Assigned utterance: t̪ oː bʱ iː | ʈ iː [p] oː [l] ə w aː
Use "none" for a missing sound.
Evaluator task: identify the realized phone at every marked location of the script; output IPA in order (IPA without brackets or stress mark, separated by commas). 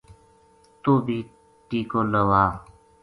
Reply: k, l